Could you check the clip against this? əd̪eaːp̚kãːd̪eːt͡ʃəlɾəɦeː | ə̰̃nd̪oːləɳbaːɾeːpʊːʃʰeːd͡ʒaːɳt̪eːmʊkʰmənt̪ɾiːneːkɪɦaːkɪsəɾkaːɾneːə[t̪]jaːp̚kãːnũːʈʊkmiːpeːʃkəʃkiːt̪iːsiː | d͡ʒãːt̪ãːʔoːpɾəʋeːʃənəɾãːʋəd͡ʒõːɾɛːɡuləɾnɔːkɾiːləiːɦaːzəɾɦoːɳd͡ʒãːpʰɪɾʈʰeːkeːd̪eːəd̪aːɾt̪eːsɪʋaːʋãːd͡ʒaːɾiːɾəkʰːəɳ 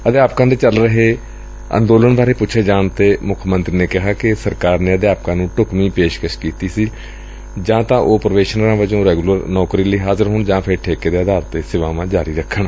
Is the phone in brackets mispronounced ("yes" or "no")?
yes